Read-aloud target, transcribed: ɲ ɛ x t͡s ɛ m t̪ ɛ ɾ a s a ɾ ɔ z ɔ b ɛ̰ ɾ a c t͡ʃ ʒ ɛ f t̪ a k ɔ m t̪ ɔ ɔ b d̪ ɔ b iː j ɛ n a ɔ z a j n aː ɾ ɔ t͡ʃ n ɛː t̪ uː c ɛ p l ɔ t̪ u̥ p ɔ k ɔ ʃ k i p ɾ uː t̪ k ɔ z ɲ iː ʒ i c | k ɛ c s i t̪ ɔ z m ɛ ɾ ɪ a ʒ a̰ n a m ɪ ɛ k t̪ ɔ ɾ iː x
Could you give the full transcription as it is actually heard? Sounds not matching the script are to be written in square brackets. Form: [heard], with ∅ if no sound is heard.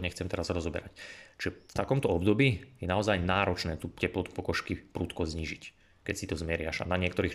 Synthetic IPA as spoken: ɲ ɛ x t͡s ɛ m t̪ ɛ ɾ a s a ɾ ɔ z ɔ b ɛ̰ ɾ a c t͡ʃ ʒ ɛ f t̪ a k ɔ m t̪ ɔ ɔ b d̪ ɔ b iː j ɛ n a ɔ z a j n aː ɾ ɔ t͡ʃ n ɛː t̪ uː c ɛ p l ɔ t̪ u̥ p ɔ k ɔ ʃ k i p ɾ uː t̪ k ɔ z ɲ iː ʒ i c | k ɛ c s i t̪ ɔ z m ɛ ɾ ɪ a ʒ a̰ n a [ɲ] ɪ ɛ k t̪ ɔ ɾ iː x